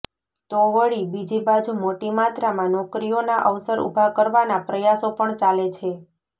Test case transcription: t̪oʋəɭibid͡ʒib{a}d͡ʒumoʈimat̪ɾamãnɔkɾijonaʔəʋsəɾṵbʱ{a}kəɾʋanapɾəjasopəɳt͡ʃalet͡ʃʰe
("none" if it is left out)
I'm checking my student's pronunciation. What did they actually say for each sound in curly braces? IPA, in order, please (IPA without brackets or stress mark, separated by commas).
a, a